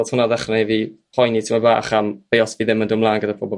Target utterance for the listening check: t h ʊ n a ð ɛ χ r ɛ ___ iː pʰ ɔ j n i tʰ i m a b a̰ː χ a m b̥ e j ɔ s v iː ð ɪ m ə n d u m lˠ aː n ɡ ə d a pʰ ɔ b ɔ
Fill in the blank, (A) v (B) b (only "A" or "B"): A